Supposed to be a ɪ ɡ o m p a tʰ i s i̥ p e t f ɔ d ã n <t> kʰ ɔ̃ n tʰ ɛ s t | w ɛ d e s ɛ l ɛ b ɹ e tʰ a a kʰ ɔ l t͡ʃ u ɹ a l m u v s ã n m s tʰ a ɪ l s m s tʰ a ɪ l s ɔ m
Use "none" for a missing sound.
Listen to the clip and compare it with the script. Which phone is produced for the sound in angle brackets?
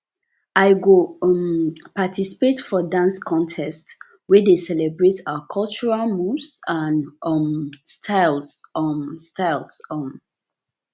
s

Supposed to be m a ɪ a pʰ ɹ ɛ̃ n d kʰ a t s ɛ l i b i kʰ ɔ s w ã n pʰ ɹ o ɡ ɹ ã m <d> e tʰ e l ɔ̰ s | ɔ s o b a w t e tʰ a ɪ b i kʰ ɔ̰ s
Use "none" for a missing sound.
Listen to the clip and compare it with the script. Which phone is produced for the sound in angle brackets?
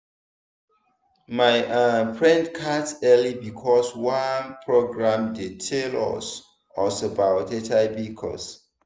d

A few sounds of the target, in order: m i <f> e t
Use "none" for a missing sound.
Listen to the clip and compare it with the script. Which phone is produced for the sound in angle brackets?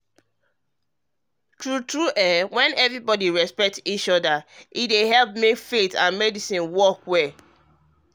f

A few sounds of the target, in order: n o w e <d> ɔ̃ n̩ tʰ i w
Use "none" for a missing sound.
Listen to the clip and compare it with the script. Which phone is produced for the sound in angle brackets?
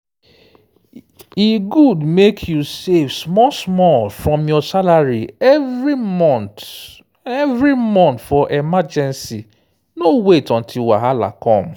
t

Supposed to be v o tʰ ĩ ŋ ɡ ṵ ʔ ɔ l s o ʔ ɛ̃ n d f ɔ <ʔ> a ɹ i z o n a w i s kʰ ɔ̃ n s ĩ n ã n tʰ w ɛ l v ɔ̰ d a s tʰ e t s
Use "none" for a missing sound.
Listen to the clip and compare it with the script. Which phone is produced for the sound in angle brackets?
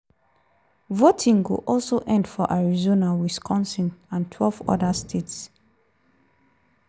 ʔ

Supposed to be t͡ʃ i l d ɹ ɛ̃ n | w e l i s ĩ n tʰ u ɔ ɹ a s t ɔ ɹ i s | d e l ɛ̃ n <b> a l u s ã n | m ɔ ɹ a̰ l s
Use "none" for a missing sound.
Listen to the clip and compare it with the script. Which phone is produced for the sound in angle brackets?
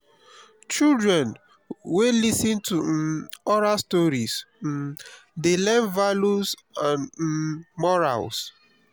v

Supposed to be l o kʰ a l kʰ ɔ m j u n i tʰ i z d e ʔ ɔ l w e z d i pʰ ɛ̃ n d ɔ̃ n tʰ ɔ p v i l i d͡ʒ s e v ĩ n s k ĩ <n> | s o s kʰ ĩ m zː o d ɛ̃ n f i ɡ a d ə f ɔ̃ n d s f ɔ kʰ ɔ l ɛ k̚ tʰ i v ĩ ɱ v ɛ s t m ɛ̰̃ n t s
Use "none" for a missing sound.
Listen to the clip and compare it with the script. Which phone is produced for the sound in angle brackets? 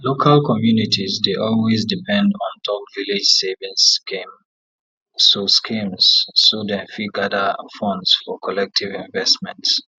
m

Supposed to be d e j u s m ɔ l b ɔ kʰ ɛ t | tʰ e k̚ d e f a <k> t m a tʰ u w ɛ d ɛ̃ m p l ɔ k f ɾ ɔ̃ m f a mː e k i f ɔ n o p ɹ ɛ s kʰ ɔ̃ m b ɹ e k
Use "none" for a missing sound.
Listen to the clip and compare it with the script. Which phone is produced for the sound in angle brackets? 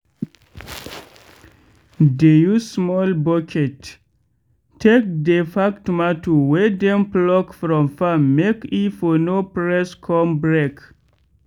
k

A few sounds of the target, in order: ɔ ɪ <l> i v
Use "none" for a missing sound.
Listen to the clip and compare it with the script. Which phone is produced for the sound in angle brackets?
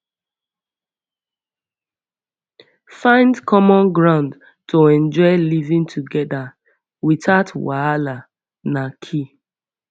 l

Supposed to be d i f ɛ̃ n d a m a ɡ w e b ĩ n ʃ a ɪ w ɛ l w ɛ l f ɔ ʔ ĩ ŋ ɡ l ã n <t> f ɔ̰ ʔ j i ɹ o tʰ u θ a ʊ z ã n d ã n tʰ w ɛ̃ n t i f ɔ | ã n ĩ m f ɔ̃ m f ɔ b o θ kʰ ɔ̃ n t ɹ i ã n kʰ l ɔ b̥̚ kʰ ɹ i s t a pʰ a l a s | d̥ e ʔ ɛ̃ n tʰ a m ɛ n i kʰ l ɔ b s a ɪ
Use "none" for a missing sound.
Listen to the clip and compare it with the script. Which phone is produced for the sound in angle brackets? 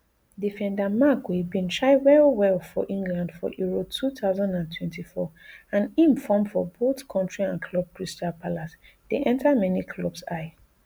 d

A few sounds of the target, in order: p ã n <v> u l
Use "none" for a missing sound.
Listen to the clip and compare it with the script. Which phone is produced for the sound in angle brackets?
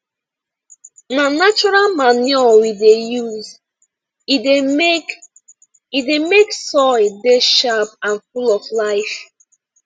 f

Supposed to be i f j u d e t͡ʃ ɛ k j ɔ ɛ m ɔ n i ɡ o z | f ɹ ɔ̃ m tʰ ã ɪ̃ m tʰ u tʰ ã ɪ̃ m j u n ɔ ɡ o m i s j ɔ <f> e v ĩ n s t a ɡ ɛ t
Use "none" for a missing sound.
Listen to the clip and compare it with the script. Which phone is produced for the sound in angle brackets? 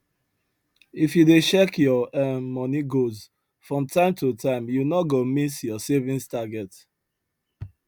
s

